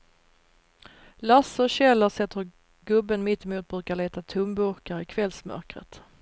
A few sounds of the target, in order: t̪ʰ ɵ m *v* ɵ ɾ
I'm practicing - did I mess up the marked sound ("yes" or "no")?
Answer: yes